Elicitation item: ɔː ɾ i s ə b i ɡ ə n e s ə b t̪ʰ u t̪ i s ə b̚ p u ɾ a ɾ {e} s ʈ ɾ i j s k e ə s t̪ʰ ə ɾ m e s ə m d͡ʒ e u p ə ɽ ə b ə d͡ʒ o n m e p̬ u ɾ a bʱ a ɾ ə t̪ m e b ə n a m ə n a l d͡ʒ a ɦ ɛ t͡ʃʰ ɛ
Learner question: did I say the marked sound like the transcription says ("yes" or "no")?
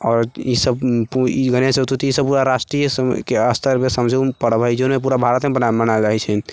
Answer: no